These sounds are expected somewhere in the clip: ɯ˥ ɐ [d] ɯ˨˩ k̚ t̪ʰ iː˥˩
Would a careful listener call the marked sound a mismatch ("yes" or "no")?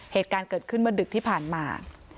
no